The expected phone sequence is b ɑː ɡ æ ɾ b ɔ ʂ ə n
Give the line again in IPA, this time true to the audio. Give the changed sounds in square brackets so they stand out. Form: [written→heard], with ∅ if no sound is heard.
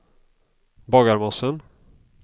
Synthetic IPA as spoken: b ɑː ɡ [æ→a] ɾ [b→m] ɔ [ʂ→s] ə n